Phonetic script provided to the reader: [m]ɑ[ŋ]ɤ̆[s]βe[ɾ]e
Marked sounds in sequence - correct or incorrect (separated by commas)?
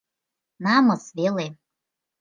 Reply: incorrect, incorrect, correct, incorrect